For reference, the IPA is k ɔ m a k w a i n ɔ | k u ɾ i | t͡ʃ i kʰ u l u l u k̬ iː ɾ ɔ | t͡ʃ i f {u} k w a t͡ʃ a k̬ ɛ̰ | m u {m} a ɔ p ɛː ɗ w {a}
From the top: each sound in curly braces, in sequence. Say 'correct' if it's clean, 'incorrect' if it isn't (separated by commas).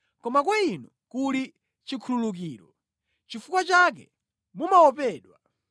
correct, correct, correct